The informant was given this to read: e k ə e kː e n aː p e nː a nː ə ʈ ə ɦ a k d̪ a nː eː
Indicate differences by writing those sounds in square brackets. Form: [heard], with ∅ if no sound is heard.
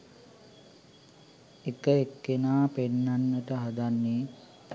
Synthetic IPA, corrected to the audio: e k ə e kː e n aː p e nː a nː ə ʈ ə ɦ a [∅] d̪ a nː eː